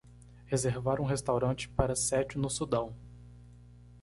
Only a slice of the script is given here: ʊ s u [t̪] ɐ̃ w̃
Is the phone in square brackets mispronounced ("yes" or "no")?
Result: yes